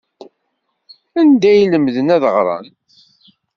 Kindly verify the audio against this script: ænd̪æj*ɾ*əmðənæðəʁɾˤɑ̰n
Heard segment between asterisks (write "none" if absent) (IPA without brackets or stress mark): l